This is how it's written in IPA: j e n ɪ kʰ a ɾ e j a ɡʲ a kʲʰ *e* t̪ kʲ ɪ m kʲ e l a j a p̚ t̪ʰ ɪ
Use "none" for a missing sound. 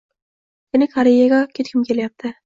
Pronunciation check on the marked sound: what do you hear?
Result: e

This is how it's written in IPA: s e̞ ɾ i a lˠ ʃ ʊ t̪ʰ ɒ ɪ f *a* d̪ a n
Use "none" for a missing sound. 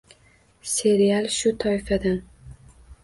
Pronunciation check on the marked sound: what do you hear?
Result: a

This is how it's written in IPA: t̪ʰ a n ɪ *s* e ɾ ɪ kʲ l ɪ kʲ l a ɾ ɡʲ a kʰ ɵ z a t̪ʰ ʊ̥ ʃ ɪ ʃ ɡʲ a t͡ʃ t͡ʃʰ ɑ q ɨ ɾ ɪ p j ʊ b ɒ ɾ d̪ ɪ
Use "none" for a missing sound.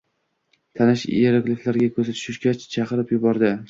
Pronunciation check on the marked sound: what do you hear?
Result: ʃ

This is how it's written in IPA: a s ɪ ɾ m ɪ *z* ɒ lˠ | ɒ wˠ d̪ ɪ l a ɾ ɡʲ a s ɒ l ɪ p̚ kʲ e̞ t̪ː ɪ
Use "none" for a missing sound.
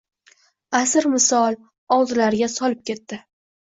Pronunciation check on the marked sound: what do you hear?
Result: s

